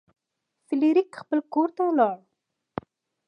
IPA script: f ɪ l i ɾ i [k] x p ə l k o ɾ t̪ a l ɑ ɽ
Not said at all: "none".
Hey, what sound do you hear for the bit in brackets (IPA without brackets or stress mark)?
k